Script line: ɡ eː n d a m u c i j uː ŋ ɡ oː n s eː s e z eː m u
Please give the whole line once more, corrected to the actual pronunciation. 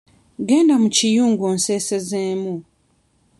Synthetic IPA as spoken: ɡ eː n d a m u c i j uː ŋ ɡ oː n s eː s e z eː m u